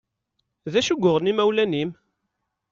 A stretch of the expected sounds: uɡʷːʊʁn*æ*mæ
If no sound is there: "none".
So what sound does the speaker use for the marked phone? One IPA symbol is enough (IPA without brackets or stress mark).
i